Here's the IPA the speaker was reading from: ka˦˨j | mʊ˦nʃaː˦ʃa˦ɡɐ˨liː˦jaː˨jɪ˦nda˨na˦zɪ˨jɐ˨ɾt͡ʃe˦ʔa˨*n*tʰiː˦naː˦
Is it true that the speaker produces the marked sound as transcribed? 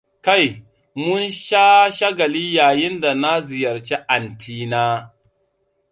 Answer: yes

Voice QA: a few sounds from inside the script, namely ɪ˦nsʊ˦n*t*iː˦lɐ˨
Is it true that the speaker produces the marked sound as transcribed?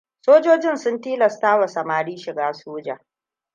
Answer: yes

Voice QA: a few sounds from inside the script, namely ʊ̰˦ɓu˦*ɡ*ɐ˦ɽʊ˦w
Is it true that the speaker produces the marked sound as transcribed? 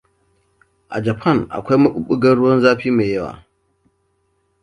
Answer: yes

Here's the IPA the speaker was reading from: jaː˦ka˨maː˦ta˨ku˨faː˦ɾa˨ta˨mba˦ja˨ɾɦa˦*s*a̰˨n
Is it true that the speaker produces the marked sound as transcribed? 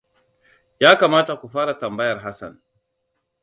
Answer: yes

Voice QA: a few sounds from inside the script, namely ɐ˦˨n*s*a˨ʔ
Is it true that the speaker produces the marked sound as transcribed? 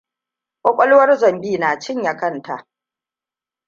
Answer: no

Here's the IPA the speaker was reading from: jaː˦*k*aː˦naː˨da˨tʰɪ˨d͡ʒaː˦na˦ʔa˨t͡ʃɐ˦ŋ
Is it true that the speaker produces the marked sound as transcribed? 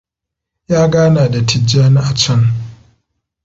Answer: no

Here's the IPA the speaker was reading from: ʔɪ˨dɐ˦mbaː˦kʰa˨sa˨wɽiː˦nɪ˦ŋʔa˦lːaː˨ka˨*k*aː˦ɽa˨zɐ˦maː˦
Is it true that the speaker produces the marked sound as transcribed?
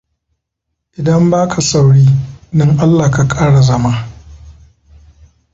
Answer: no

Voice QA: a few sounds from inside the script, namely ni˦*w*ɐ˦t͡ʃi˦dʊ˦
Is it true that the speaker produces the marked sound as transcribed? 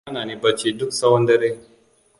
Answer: no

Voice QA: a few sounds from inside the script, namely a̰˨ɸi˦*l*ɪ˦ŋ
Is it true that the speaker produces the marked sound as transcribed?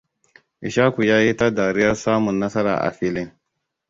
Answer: yes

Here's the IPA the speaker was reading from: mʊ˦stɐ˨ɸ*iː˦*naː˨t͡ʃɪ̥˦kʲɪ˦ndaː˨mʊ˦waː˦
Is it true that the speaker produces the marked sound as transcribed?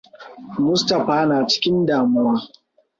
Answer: no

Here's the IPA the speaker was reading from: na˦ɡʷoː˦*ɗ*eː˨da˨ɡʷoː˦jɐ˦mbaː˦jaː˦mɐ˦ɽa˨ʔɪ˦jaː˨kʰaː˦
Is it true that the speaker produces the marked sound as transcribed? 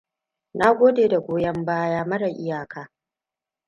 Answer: no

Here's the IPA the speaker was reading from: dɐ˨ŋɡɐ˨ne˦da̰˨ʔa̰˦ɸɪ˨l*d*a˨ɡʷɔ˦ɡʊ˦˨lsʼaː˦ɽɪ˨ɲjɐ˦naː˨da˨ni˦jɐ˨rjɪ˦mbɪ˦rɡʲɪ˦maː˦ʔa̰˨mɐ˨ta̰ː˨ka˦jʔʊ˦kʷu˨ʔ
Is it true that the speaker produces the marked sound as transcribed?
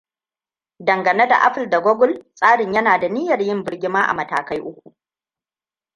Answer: yes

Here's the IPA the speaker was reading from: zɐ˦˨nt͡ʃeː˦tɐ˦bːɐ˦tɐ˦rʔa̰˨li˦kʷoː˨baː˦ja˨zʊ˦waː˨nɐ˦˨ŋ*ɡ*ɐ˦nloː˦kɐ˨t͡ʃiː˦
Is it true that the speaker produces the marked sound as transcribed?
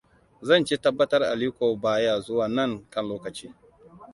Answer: no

